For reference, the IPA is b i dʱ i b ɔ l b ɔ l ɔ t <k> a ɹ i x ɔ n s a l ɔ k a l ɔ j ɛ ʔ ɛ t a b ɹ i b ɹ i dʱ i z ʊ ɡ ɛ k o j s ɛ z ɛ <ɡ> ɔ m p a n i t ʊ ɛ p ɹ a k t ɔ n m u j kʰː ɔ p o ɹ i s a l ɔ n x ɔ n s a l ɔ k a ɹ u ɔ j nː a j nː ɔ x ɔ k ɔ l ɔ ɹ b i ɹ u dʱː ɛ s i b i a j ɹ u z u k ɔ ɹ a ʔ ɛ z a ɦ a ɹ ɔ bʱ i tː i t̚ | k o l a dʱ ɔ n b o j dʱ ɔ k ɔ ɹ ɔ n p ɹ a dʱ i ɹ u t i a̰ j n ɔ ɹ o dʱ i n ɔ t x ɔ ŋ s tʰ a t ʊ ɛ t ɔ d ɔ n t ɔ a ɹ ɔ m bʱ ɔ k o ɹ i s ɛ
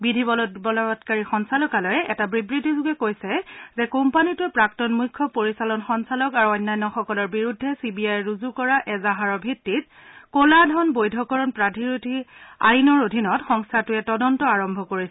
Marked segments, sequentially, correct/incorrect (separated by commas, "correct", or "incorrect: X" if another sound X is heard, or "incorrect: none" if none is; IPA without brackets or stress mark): correct, incorrect: k